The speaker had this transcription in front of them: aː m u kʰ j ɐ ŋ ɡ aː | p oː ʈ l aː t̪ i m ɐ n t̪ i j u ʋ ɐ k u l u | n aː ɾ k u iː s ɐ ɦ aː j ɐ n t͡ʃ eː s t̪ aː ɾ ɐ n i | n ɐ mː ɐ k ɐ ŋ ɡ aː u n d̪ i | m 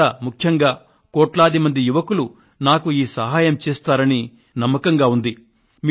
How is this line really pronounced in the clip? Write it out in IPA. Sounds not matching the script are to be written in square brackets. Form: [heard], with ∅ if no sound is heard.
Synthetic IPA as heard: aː m u kʰ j ɐ ŋ ɡ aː | [k] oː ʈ l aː [d̪] i m ɐ n [d̪] i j u ʋ ɐ k u l u | n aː [∅] k u iː s ɐ ɦ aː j ɐ [m] t͡ʃ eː s t̪ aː ɾ ɐ n i | n ɐ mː ɐ k ɐ ŋ ɡ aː u n d̪ i | m

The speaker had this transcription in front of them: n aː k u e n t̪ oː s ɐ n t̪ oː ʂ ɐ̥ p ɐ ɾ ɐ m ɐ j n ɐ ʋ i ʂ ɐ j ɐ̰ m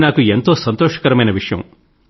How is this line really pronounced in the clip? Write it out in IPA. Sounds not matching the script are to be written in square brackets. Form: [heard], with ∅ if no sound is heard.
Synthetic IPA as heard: n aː k u e n t̪ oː s ɐ n t̪ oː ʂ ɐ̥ [k] ɐ ɾ ɐ m ɐ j n ɐ ʋ i ʂ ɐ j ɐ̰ m

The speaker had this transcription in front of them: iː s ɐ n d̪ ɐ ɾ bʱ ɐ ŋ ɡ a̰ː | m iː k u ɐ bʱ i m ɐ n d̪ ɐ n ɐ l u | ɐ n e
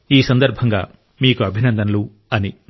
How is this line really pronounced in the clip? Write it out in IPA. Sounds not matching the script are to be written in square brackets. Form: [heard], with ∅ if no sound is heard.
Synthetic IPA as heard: iː s ɐ n d̪ ɐ ɾ bʱ ɐ ŋ ɡ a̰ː | m iː k u ɐ bʱ i [n] ɐ n d̪ ɐ n ɐ l u | ɐ n [i]

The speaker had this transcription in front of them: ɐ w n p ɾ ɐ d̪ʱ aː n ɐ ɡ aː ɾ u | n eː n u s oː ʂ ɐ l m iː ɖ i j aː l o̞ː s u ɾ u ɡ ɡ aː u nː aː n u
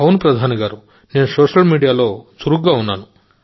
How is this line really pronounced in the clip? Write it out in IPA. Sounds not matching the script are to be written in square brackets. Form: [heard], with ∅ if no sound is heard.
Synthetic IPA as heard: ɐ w n p ɾ ɐ d̪ʱ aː n ɐ ɡ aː ɾ u | n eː n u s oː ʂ ɐ l m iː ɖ i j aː l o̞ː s u ɾ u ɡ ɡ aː u nː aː n u

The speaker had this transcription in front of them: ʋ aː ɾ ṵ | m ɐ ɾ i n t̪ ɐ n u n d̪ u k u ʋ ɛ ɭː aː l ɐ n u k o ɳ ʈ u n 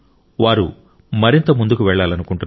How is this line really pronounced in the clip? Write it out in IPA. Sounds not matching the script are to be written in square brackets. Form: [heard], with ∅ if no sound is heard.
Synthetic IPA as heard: ʋ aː ɾ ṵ | m ɐ ɾ i n t̪ ɐ [m] u n d̪ u k u ʋ ɛ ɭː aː l ɐ n u k [u] ɳ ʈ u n

